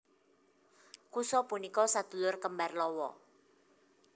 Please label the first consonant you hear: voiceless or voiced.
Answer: voiceless